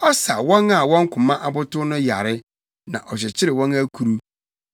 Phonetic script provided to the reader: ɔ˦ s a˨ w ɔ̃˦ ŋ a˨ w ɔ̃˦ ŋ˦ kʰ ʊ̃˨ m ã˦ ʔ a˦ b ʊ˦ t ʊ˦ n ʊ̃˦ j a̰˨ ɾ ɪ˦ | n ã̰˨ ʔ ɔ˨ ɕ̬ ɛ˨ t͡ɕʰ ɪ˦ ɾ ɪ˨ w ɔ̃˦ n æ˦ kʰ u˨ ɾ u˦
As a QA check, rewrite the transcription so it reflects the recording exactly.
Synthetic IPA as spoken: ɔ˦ s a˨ w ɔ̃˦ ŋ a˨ w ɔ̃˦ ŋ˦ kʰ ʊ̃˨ m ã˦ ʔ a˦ b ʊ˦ t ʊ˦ n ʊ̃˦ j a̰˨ ɾ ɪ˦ | n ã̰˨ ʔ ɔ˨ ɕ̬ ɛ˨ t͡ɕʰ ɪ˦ ɾ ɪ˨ w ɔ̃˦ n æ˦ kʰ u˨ ɾ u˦